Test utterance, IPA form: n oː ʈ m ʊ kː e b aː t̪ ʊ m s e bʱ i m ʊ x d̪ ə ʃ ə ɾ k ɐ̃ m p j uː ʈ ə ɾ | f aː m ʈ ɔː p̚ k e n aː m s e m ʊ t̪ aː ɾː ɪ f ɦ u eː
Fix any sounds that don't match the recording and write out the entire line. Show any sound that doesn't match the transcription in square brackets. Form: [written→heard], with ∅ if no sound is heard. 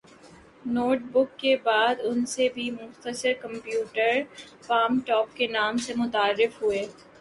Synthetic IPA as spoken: n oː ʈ [m→b] ʊ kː e b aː [t̪→d̪] ʊ [m→n] s e bʱ i m ʊ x [d̪→t̪] ə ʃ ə ɾ k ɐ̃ m p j uː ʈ ə ɾ | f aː m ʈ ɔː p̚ k e n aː m s e m ʊ t̪ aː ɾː ɪ f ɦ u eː